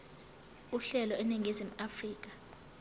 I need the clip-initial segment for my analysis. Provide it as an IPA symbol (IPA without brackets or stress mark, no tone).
u